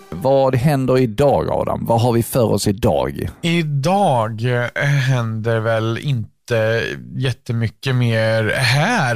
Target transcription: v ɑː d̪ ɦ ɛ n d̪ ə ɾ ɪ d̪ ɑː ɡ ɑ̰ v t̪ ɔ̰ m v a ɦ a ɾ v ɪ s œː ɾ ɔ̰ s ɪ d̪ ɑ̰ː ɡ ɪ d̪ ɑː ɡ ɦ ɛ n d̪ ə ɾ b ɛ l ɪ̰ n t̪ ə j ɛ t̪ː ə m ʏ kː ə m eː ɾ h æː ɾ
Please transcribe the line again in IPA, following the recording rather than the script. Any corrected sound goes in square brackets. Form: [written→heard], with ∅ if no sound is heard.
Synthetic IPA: v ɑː d̪ ɦ ɛ n d̪ ə ɾ ɪ d̪ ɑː ɡ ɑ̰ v [t̪→d̪] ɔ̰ m v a ɦ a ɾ v ɪ [s→f] œː ɾ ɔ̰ s ɪ d̪ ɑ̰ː ɡ ɪ d̪ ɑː ɡ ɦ ɛ n d̪ ə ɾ [b→v] ɛ l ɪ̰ n t̪ ə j ɛ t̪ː ə m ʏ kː ə m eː ɾ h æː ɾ